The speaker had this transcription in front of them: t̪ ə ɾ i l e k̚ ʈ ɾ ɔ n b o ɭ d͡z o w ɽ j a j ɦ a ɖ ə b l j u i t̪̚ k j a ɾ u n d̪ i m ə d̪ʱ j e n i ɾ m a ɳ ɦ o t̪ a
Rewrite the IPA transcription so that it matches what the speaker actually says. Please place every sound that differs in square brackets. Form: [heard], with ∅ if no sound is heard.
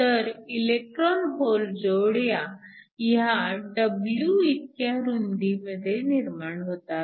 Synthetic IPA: t̪ ə ɾ i l e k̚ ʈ ɾ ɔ n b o [l] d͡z o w ɽ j a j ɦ a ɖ ə b l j u i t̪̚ k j a ɾ u n d̪ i m ə d̪ʱ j e n i ɾ m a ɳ ɦ o t̪ a